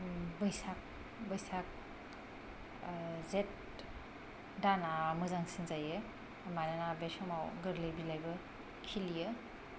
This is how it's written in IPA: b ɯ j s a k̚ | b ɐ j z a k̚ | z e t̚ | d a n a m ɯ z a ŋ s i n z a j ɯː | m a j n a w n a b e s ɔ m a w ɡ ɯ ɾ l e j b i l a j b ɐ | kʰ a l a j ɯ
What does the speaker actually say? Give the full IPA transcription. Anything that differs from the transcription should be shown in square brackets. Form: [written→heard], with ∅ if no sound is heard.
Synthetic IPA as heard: b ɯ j s a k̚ | b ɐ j [z→s] a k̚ | z e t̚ | d a n a m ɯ z a ŋ s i n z a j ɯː | m a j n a [w→∅] n a b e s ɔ m a w ɡ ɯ ɾ l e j b i l a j b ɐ | kʰ [a→i] l [a→i] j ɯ